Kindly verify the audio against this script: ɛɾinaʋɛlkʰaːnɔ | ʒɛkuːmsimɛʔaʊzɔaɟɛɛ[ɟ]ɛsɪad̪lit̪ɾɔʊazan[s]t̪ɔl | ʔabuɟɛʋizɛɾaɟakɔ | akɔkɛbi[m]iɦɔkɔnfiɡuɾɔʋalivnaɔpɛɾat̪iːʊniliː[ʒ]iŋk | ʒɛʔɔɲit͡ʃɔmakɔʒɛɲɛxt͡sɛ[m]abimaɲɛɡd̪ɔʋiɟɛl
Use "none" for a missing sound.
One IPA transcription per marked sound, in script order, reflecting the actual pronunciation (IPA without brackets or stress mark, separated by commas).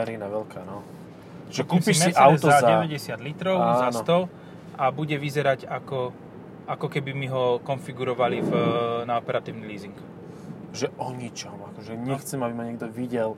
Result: ɟ, s, m, z, m